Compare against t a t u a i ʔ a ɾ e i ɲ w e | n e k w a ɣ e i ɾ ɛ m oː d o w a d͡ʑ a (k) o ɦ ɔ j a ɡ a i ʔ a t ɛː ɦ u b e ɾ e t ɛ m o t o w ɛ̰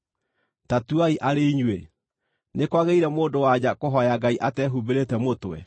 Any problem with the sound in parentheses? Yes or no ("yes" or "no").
no